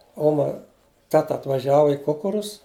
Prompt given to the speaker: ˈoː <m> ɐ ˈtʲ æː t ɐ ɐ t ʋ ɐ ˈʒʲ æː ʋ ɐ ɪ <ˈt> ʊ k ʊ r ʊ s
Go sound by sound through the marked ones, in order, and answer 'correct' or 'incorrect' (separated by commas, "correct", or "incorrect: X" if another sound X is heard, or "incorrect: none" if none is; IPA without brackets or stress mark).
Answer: correct, incorrect: k